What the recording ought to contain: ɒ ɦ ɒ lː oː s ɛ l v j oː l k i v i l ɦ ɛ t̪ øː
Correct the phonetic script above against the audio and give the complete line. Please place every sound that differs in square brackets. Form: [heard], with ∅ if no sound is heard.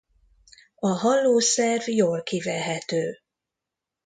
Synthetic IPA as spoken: ɒ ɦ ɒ lː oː s ɛ [r] v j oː l k i v [ɛ] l ɦ ɛ t̪ øː